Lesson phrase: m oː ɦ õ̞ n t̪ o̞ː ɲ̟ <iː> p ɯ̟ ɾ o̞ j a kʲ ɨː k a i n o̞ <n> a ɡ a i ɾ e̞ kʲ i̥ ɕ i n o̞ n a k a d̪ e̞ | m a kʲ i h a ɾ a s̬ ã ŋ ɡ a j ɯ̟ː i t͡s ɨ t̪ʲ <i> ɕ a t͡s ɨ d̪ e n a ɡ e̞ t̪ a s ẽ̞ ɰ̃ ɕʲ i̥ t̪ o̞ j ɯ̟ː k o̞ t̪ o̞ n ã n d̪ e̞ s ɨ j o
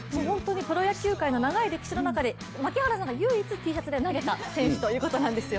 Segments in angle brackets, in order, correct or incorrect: incorrect: i, correct, incorrect: iː

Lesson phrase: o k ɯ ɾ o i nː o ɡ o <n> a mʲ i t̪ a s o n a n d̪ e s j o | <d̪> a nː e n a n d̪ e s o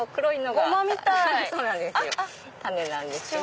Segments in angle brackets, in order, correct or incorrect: incorrect: m, incorrect: t̪

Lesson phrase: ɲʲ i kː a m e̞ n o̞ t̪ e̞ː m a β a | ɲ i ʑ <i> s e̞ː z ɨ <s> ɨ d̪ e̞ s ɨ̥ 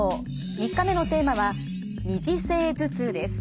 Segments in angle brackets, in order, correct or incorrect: correct, incorrect: t͡s

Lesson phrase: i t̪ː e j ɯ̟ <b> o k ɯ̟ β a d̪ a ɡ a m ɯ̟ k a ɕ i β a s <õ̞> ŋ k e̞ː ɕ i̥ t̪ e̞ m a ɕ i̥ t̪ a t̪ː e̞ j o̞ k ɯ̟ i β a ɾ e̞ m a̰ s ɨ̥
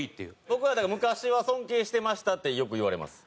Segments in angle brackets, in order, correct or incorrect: correct, correct

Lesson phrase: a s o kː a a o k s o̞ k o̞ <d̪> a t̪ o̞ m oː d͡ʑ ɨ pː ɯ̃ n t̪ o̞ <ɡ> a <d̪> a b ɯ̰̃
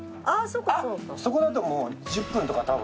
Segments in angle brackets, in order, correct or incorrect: correct, incorrect: k, incorrect: t̪

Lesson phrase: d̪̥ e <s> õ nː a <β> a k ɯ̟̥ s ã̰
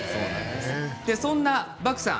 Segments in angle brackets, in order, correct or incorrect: correct, incorrect: b

